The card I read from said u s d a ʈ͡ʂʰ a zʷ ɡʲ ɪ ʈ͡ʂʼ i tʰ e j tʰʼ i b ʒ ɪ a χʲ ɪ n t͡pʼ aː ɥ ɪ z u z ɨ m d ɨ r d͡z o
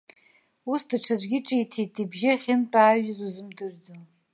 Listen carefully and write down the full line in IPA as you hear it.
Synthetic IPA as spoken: u s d a ʈ͡ʂʰ a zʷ ɡʲ ɪ ʈ͡ʂʼ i tʰ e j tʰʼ i b ʒ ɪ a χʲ ɪ n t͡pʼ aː ɥ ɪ z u z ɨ m d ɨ r d͡z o